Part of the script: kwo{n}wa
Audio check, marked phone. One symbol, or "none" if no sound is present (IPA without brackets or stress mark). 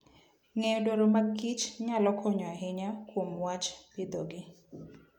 m